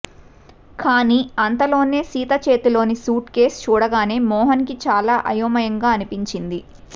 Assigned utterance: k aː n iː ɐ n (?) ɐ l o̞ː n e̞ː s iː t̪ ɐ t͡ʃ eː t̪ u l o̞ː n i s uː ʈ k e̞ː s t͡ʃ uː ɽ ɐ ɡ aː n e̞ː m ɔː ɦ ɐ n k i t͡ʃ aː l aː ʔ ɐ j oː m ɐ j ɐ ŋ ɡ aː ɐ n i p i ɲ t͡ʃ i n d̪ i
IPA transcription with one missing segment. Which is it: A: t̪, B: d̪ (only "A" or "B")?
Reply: A